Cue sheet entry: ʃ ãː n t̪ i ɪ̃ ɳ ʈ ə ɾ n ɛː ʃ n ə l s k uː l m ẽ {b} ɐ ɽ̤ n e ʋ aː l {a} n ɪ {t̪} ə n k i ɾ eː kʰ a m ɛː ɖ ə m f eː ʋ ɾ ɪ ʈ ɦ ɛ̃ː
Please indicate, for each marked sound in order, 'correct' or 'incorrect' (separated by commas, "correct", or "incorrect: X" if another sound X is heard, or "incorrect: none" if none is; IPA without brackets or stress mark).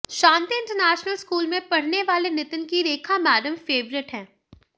incorrect: p, incorrect: e, correct